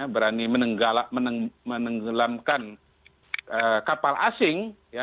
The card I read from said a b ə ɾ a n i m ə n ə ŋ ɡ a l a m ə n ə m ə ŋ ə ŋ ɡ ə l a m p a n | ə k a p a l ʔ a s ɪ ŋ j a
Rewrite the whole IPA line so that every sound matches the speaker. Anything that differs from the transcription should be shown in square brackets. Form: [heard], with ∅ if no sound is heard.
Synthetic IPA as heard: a b ə ɾ a n i m ə n ə ŋ ɡ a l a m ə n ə m ə [n] ə ŋ ɡ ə l a m [k] a n | ə k a p a l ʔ a s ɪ ŋ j a